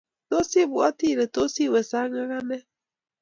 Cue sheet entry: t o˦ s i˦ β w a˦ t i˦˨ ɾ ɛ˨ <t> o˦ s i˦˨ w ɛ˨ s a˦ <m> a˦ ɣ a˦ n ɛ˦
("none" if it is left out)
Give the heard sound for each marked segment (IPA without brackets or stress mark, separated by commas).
t, ŋ